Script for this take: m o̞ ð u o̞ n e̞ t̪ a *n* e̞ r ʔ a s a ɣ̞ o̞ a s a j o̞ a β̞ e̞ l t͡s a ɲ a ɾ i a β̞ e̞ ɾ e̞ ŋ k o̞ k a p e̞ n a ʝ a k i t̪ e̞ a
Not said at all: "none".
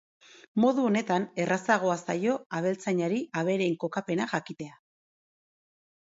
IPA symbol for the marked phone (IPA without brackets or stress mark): n